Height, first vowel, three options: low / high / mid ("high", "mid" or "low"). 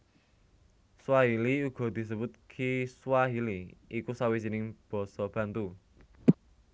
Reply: low